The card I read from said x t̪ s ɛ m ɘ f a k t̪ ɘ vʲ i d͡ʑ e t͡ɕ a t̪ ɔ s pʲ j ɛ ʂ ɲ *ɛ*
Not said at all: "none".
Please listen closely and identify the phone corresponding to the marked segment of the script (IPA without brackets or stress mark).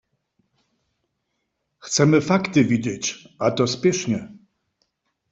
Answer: ɛ